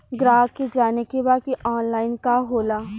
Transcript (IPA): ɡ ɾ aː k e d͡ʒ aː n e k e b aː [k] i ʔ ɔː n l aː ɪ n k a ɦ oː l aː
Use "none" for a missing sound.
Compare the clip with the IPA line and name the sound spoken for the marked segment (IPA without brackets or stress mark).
k